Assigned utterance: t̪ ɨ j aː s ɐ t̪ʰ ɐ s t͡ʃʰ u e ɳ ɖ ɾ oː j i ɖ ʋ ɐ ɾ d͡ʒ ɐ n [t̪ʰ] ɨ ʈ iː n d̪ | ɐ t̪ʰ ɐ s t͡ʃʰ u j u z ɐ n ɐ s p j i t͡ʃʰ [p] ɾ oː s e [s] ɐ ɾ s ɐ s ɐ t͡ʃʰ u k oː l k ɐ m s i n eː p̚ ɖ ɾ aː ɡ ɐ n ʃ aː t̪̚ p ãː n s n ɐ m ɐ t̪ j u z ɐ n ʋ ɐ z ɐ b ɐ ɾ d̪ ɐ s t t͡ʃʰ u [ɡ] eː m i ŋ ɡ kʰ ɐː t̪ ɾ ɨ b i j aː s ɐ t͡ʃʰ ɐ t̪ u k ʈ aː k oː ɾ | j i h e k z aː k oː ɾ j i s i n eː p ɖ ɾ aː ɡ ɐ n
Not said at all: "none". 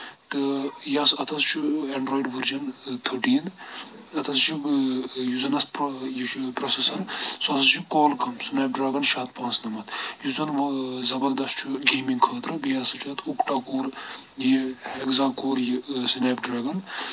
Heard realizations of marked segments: t̪ʰ, p, s, ɡ

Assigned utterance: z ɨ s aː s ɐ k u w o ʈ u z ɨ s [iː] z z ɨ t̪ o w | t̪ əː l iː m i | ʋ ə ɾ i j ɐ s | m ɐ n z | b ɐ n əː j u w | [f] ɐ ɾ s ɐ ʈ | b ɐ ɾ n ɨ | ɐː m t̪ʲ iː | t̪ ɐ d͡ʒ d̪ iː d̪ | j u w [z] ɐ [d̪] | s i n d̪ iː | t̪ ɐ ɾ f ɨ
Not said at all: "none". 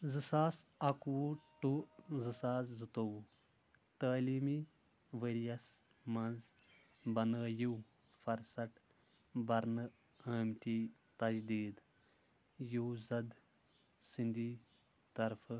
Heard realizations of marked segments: aː, f, z, d̪

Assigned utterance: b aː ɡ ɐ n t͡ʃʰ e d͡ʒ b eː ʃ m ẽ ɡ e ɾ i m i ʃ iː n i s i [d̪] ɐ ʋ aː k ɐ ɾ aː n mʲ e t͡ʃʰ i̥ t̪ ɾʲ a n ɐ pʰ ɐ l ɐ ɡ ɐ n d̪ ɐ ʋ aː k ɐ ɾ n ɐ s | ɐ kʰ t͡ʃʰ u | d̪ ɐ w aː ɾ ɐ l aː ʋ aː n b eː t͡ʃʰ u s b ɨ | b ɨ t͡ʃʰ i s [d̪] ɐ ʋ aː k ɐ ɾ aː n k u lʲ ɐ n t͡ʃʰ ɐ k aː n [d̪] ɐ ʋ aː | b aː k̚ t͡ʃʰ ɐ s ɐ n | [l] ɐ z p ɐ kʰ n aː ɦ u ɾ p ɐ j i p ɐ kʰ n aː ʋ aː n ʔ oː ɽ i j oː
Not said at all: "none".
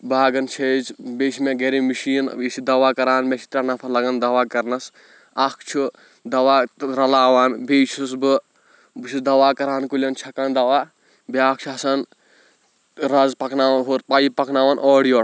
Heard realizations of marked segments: d̪, d̪, d̪, ɾ

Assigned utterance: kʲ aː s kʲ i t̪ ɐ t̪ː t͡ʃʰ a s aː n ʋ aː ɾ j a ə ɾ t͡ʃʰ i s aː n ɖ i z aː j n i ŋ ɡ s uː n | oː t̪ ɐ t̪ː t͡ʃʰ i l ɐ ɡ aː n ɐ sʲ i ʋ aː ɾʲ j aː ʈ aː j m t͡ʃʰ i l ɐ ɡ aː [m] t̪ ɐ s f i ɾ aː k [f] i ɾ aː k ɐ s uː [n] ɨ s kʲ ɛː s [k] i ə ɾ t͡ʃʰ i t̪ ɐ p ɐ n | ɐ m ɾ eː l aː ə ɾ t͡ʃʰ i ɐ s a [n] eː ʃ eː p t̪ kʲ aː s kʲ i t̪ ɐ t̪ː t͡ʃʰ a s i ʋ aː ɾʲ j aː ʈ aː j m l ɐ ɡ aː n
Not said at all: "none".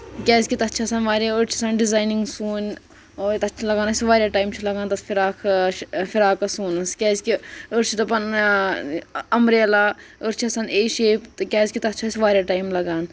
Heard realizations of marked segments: n, f, n, k, n

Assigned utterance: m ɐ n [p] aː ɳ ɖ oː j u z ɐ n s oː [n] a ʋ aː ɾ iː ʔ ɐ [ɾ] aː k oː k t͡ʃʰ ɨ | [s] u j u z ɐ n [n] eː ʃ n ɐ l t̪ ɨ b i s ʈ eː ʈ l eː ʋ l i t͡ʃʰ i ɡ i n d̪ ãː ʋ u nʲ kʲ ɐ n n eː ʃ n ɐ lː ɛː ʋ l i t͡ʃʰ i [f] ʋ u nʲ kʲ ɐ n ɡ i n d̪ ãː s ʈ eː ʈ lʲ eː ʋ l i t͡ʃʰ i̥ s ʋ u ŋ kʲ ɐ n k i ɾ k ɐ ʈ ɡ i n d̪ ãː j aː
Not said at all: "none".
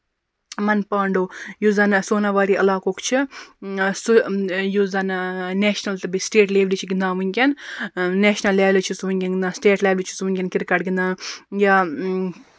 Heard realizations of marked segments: p, n, l, s, n, s

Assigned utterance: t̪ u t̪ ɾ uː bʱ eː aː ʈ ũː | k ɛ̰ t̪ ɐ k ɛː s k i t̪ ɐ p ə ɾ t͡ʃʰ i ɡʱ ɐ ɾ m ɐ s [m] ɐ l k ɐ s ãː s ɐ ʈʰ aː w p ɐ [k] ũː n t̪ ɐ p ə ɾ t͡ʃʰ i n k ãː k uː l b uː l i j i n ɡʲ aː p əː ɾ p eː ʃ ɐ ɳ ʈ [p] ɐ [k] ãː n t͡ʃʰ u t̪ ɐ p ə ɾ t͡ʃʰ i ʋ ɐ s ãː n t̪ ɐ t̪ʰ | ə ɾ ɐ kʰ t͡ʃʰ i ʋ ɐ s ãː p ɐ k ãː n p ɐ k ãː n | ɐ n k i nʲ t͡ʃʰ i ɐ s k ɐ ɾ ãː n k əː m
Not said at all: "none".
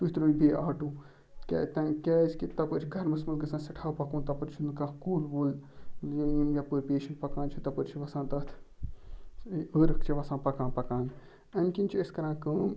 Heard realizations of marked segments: m, k, p, k

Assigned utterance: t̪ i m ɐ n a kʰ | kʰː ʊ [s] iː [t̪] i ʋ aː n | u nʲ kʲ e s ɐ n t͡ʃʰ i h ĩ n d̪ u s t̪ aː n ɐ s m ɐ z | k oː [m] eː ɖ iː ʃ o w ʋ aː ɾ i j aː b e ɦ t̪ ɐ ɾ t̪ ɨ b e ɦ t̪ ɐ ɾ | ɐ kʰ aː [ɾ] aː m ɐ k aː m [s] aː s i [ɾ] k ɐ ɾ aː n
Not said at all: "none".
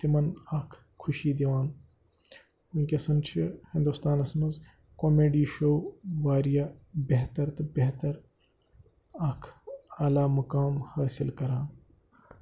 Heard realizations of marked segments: ʃ, d̪, m, l, h, l

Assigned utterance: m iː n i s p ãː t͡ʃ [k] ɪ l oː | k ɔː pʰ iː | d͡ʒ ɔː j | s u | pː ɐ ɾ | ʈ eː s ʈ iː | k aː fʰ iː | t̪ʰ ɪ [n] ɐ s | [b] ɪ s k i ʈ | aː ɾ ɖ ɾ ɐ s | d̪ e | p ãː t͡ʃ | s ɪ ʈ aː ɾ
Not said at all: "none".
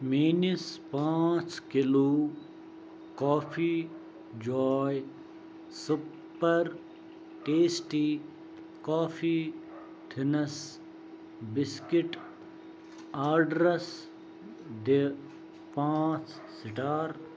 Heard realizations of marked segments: k, n, b

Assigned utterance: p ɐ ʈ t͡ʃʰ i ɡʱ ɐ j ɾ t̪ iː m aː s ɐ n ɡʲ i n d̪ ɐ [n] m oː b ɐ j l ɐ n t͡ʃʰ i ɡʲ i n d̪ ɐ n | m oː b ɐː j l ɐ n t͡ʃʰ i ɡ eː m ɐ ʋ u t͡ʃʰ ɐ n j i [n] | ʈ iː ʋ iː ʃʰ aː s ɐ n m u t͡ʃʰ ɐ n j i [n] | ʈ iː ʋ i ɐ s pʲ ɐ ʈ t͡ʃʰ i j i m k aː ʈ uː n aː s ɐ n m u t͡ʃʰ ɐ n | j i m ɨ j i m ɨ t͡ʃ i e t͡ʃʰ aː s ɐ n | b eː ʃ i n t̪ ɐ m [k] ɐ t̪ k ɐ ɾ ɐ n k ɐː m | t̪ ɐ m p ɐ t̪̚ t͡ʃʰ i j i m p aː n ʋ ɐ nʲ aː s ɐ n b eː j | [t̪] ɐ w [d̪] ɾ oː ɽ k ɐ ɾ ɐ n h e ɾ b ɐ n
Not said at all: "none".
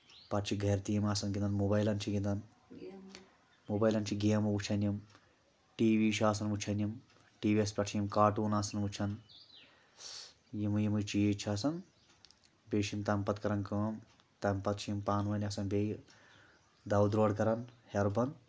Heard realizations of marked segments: n, m, m, p, d̪, d̪

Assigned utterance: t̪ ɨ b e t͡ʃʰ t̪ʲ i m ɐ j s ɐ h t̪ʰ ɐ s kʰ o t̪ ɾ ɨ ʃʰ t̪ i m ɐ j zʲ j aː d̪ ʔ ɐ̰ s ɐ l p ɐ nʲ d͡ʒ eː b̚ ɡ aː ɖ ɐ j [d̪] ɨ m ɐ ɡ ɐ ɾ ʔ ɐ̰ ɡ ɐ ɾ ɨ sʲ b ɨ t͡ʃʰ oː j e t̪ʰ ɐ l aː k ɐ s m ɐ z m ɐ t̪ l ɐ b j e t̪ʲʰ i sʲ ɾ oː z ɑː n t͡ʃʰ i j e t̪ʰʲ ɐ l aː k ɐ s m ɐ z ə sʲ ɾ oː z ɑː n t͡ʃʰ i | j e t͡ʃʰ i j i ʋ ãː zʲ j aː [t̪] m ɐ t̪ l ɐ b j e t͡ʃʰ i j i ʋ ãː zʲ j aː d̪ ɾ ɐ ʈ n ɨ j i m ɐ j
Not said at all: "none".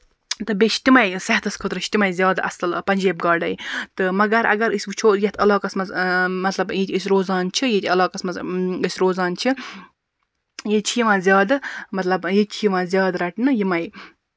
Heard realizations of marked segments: t̪, d̪

